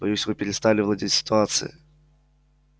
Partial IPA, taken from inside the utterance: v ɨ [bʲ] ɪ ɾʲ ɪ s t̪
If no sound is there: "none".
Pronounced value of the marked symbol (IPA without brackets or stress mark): pʲ